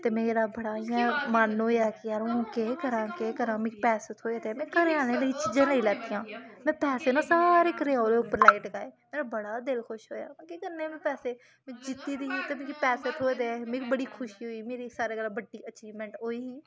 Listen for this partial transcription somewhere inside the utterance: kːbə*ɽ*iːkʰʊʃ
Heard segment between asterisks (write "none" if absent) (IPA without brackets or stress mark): ɽ